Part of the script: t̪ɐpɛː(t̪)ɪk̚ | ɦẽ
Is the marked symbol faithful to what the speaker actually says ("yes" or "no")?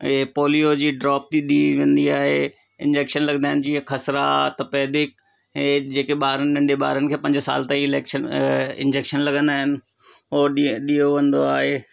no